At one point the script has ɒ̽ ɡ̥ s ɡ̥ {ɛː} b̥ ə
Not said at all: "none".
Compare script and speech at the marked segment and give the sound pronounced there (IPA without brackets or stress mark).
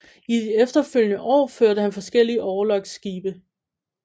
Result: iː